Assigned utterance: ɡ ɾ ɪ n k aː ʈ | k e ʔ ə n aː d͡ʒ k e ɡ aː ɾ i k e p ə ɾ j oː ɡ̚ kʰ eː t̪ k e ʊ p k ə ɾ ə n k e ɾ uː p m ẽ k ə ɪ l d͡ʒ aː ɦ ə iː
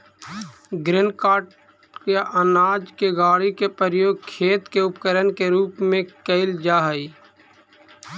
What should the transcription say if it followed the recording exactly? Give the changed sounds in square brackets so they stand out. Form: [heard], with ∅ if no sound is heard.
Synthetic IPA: ɡ ɾ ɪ n k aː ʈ | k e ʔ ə n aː d͡ʒ k e ɡ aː [ɽ] i k e p ə ɾ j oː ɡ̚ kʰ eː t̪ k e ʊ p k ə ɾ ə n k e ɾ uː p m ẽ k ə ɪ l d͡ʒ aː ɦ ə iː